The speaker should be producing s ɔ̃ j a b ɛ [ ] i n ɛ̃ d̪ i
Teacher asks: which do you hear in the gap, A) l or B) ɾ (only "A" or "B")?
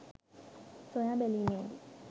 A